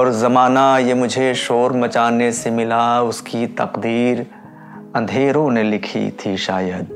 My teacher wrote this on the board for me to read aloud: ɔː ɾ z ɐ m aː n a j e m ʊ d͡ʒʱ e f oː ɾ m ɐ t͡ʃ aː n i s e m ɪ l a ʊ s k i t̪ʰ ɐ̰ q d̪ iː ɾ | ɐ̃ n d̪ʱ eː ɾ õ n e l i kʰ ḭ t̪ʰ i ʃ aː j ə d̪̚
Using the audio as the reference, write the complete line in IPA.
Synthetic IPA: ɔː ɾ z ɐ m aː n a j e m ʊ d͡ʒʱ e ʃ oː ɾ m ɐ t͡ʃ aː n e s e m ɪ l a ʊ s k i t̪ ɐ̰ q d̪ iː ɾ | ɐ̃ n d̪ʱ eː ɾ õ n e l ɪ kʰ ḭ t̪ʰ i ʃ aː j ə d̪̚